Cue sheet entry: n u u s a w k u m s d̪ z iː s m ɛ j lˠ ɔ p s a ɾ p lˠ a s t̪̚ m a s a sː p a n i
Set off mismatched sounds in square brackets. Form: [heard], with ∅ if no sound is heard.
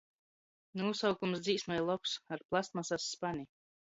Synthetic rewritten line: n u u s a w k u m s d̪ z iː s m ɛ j lˠ ɔ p s a ɾ p lˠ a s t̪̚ m a s a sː p a n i